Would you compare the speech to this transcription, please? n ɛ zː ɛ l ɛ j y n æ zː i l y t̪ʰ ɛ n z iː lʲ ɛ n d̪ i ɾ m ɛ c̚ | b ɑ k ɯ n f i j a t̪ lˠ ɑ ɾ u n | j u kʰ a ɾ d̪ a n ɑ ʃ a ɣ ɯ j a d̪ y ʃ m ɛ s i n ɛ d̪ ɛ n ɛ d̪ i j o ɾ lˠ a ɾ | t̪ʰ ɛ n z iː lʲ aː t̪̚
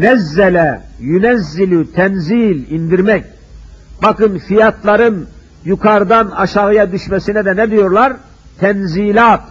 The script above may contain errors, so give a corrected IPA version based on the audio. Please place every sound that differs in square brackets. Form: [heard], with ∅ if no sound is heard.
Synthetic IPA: n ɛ zː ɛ l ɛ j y n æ zː i l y t̪ʰ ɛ n z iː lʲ [i] n d̪ i ɾ m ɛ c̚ | b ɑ k ɯ n f i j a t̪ lˠ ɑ ɾ [ɯ] n | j u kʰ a ɾ d̪ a n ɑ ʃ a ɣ ɯ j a d̪ y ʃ m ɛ s i n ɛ d̪ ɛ n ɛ d̪ i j o ɾ lˠ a ɾ | t̪ʰ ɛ n z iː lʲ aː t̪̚